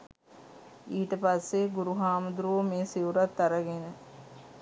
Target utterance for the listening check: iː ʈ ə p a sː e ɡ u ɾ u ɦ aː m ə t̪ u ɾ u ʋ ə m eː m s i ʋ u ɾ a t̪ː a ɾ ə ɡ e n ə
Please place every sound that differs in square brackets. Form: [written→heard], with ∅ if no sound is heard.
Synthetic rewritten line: iː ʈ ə p a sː e ɡ u ɾ u ɦ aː m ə [t̪→d̪] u ɾ u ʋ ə m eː [m→∅] s i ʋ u ɾ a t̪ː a ɾ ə ɡ e n ə

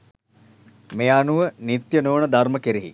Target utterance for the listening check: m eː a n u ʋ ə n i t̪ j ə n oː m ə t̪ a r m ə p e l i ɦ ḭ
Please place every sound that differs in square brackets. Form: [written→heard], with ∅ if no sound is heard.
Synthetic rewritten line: m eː a n u ʋ ə n i t̪ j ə n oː [m→n] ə [t̪→d̪] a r m ə [p→k] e [l→ɾ] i ɦ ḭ

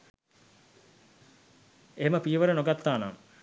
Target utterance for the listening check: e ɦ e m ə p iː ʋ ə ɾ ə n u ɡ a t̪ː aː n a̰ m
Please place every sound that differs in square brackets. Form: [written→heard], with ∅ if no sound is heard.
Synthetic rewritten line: e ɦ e m ə p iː ʋ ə ɾ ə n [u→o] ɡ a t̪ː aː n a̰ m

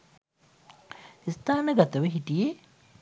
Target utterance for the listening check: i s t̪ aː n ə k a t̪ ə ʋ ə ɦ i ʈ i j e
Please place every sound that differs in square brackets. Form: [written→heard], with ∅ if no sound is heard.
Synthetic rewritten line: i s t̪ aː n ə [k→ɡ] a t̪ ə ʋ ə ɦ i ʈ i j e

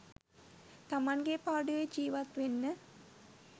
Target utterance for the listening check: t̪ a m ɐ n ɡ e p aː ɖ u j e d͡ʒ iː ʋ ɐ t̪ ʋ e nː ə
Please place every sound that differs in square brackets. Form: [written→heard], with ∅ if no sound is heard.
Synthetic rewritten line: t̪ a m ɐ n ɡ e p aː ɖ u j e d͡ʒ iː ʋ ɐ t̪ ʋ e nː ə

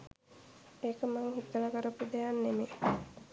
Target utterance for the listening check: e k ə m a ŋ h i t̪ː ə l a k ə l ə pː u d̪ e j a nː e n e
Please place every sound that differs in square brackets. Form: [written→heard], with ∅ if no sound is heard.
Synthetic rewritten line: e k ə m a ŋ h i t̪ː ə l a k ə [l→ɾ] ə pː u d̪ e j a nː e [n→m] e

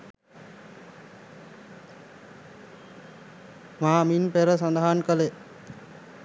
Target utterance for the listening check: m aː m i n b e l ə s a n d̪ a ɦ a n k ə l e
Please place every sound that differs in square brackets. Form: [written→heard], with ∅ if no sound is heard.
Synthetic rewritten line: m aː m i n [b→p] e [l→ɾ] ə s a n d̪ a ɦ a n k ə l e

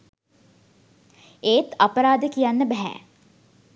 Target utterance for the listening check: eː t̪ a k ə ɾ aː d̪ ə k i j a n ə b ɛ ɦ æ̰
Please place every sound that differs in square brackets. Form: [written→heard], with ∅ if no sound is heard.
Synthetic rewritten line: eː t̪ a [k→p] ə ɾ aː d̪ ə k i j a [n→nː] ə b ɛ ɦ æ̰

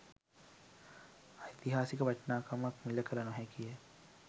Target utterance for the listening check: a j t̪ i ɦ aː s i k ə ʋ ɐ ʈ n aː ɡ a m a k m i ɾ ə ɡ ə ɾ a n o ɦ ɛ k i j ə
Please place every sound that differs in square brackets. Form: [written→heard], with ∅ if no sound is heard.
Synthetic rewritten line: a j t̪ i ɦ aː s i k ə ʋ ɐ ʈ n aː [ɡ→k] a m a k m i [ɾ→l] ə [ɡ→k] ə ɾ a n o ɦ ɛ k i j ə

